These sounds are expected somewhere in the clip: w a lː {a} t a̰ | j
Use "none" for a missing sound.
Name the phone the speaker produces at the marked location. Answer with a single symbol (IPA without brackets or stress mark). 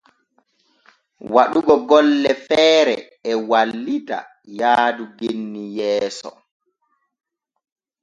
i